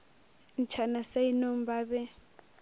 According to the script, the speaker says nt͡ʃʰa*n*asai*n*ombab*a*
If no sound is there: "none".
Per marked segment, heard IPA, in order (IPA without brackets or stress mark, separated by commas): n, n, ɛ